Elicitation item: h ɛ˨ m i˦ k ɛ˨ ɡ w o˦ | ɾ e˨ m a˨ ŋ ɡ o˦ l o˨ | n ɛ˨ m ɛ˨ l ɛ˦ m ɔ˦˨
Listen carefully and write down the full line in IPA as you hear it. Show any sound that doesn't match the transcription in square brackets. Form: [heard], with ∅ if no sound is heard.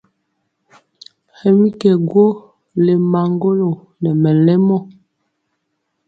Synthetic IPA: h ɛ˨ m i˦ k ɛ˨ ɡ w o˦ | [l] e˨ m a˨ ŋ ɡ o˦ l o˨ | n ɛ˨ m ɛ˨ l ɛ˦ m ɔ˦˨